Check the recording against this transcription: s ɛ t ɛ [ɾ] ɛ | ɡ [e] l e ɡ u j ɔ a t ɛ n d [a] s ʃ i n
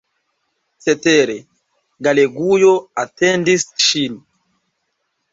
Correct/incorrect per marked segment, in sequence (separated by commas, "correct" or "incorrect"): correct, incorrect, incorrect